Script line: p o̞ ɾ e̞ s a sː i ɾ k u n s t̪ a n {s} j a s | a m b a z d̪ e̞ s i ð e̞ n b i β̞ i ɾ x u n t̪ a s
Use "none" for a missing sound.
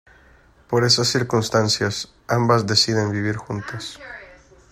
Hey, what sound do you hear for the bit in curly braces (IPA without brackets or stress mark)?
s